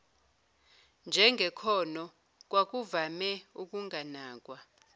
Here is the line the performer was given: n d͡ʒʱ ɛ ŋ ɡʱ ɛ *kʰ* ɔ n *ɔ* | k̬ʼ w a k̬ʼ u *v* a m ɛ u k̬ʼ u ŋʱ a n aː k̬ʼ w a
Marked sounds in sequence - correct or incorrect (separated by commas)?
correct, correct, correct